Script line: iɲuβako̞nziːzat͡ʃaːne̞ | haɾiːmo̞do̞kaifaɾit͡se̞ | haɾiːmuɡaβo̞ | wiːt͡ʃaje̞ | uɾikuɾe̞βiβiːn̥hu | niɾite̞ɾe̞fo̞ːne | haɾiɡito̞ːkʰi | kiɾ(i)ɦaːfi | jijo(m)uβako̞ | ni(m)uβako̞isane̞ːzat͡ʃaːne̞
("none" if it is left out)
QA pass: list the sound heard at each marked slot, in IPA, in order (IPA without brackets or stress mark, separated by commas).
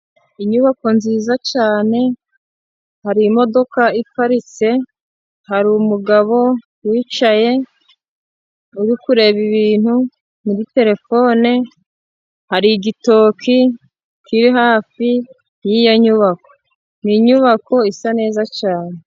i, ɲ, ɲ